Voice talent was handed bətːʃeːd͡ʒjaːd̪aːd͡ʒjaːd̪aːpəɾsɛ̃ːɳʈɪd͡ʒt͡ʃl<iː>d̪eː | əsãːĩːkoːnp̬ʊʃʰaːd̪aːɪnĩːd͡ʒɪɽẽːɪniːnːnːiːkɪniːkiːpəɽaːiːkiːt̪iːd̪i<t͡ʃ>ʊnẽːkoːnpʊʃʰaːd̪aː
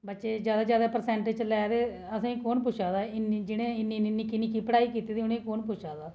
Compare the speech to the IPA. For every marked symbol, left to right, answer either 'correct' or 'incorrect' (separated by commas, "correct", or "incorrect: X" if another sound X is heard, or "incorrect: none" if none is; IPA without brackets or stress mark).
incorrect: ɛː, incorrect: none